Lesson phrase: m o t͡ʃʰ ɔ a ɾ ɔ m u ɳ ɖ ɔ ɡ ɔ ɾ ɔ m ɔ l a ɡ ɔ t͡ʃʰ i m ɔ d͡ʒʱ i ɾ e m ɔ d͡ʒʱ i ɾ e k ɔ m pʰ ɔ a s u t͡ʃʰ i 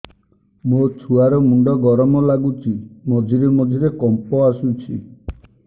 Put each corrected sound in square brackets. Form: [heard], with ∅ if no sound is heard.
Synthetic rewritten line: m o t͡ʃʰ [u] a ɾ ɔ m u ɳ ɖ ɔ ɡ ɔ ɾ ɔ m ɔ l a ɡ [u] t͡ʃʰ i m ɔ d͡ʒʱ i ɾ e m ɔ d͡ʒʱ i ɾ e k ɔ m [p] ɔ a s u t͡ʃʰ i